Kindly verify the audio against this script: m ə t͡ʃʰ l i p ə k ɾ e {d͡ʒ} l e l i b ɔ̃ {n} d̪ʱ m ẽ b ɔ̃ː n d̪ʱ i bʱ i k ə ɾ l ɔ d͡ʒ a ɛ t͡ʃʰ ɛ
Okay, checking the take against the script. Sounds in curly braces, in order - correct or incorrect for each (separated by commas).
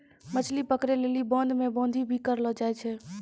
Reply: incorrect, correct